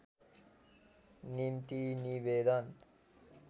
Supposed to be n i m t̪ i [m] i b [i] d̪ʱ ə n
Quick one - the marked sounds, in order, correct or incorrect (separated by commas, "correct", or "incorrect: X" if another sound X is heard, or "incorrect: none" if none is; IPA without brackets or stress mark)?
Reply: incorrect: n, incorrect: e